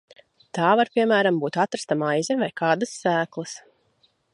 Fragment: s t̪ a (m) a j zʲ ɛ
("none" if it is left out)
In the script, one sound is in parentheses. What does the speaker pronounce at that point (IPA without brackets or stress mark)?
m